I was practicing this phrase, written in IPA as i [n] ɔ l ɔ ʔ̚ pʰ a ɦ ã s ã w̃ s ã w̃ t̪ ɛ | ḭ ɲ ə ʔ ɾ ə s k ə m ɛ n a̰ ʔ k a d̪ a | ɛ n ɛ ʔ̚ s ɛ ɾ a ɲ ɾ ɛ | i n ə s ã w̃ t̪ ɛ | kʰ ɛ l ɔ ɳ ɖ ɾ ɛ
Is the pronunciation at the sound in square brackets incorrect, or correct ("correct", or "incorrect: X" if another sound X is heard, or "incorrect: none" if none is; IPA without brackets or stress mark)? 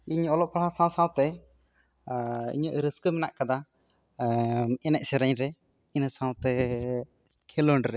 incorrect: ɲ